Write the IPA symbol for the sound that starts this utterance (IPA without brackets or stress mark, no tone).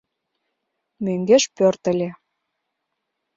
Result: m